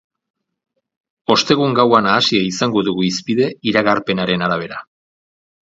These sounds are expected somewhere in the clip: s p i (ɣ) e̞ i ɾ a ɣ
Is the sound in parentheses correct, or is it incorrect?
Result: incorrect